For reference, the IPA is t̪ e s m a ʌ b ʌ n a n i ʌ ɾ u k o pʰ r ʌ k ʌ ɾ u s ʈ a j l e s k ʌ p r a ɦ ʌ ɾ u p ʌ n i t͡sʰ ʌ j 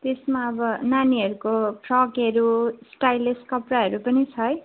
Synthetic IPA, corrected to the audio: t̪ e s m a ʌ b ʌ n a n i ʌ ɾ u k o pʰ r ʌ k ʌ ɾ u s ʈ a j l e s k ʌ p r a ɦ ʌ ɾ u p ʌ n i t͡sʰ ʌ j